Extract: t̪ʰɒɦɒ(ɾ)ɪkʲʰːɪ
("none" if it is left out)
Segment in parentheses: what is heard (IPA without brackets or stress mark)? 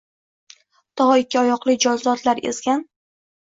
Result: none